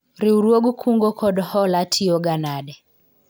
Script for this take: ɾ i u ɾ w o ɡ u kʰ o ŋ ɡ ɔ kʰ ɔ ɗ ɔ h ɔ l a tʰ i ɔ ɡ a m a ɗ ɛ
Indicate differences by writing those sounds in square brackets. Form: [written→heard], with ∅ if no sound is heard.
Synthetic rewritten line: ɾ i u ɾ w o ɡ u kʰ [o→u] ŋ ɡ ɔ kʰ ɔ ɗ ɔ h ɔ l a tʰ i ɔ ɡ a [m→n] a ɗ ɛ

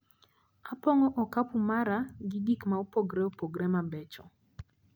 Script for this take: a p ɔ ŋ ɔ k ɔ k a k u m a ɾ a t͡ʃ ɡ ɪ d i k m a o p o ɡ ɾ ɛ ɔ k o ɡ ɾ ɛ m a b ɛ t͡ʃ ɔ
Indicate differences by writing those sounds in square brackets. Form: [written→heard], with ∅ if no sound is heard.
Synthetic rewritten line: a p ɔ ŋ ɔ [k→ʔ] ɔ k a [k→p] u m a ɾ a [t͡ʃ→∅] ɡ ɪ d i k m a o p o ɡ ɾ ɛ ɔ [k→p] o ɡ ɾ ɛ m a b ɛ t͡ʃ ɔ

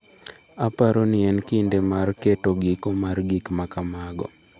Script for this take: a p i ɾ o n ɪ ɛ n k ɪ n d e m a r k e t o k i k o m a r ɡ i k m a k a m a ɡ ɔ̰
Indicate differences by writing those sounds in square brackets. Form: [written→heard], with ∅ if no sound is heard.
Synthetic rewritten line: a p [i→a] ɾ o n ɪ ɛ n k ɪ n d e m a r k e t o [k→ɡ] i k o m a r ɡ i k m a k a m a ɡ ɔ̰

